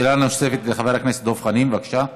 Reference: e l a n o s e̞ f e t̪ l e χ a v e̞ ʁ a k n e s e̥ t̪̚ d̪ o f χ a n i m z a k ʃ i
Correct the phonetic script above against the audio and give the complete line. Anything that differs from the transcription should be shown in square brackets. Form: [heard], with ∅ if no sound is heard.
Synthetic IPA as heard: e l a n o s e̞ f e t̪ l e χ a v e̞ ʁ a k n e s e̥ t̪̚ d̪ o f χ a n i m [v] a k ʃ [a]